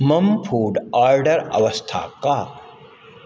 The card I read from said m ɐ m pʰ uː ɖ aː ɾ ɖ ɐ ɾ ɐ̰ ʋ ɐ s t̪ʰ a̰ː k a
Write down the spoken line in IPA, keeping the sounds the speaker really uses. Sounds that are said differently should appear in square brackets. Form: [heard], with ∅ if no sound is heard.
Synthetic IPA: m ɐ m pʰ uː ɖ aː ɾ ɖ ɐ ɾ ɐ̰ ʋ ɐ s t̪ʰ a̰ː k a